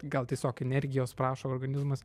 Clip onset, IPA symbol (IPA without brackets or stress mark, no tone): ɡ